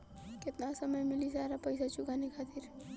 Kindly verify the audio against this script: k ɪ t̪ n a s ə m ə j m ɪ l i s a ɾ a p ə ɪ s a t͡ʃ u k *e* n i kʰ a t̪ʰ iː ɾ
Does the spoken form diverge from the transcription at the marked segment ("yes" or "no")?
yes